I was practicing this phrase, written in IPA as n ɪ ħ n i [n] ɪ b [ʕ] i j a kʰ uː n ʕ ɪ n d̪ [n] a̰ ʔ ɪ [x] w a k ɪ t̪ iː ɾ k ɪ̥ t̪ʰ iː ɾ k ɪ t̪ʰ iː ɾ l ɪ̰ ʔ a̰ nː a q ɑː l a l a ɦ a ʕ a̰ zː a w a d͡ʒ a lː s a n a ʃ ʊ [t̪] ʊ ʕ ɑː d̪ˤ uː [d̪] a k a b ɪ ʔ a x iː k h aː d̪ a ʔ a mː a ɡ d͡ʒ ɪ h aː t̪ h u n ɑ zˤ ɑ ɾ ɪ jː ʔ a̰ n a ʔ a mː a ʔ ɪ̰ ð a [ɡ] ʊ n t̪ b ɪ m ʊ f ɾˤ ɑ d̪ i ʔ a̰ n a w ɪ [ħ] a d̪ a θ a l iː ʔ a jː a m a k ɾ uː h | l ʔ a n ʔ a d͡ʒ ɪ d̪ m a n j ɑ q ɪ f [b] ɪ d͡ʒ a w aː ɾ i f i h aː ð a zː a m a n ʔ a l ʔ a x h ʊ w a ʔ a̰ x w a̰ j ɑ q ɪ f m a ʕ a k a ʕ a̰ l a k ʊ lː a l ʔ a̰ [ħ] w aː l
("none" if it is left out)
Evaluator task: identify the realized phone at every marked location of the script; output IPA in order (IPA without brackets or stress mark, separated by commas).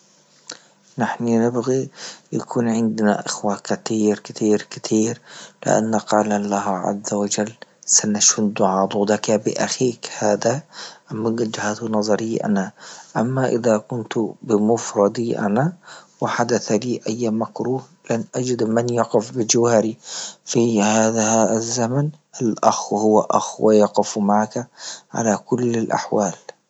n, ɣ, n, x, d̪, d̪, k, ħ, b, ħ